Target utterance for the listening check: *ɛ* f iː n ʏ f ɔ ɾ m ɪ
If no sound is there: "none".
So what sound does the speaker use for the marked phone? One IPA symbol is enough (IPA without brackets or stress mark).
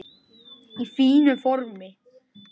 i